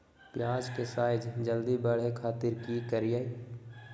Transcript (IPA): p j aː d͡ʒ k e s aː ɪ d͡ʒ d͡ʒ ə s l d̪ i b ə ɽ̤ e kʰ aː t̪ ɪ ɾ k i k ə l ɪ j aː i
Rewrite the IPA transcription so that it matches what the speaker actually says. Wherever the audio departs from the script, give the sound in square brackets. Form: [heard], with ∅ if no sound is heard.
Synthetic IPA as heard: p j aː d͡ʒ k e s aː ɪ d͡ʒ d͡ʒ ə [∅] l d̪ i b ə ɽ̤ e kʰ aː t̪ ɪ ɾ k i k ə [ɾ] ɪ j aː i